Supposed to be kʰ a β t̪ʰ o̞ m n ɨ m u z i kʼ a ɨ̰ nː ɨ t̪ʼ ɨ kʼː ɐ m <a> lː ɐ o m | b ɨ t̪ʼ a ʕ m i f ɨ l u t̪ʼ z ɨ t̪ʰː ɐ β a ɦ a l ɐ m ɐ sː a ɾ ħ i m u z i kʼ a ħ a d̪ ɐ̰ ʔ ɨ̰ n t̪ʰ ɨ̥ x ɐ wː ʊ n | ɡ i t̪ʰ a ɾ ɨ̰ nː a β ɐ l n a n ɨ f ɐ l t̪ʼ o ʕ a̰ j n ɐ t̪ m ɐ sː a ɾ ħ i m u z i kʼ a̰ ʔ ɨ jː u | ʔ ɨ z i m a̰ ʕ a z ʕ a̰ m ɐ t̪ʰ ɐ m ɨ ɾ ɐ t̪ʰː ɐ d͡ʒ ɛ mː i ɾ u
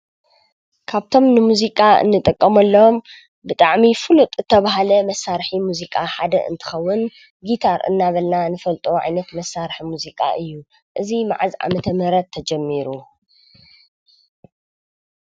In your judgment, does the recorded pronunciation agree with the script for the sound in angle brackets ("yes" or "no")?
no